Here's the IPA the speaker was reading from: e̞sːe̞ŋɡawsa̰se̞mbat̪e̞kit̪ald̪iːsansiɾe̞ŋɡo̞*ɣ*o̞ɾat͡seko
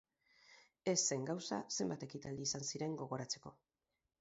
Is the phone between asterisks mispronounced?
no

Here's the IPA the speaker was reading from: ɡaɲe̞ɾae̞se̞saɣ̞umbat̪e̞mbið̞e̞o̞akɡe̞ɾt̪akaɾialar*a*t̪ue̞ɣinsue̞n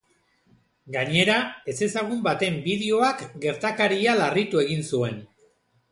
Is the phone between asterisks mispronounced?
yes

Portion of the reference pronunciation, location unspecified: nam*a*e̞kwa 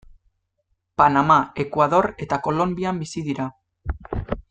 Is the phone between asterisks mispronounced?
no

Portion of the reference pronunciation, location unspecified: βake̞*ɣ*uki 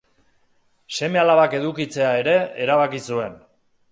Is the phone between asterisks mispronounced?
yes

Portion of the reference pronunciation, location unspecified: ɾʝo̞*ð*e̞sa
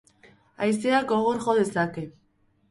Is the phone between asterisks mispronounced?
no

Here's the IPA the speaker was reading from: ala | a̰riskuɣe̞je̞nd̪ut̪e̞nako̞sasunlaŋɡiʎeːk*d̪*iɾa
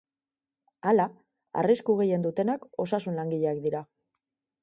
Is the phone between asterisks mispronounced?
no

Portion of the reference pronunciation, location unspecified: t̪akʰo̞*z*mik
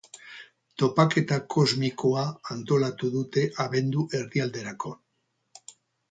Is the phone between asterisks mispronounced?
no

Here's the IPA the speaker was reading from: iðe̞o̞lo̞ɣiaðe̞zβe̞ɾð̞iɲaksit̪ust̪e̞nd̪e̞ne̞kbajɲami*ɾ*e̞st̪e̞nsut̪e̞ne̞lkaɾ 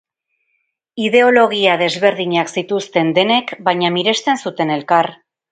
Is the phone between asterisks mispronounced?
no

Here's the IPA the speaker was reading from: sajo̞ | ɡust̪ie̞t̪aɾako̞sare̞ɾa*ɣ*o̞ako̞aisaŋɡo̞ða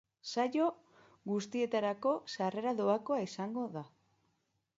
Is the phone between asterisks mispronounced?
yes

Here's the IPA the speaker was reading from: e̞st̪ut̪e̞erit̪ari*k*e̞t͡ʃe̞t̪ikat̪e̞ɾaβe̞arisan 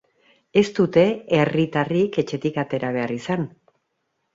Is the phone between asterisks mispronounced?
no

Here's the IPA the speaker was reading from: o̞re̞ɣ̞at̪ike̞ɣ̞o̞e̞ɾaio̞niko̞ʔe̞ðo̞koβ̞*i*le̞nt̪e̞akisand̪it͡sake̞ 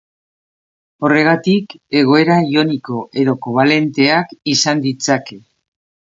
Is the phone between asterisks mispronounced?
yes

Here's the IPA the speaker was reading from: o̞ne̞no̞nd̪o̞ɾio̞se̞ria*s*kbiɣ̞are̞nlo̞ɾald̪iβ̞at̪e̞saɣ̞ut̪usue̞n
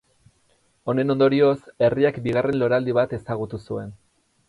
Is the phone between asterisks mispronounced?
yes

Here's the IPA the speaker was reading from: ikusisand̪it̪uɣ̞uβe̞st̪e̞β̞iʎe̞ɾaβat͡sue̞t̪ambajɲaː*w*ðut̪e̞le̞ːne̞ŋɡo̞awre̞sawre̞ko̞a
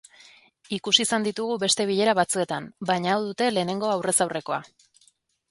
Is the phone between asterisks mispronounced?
no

